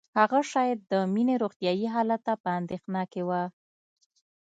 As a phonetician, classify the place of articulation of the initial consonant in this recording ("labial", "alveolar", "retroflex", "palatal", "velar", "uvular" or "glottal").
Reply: glottal